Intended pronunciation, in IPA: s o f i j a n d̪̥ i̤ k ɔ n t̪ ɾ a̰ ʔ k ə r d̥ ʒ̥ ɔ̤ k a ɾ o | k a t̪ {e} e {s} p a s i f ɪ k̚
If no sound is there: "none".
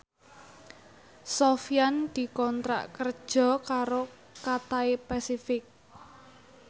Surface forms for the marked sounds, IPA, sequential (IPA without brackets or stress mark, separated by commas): a, none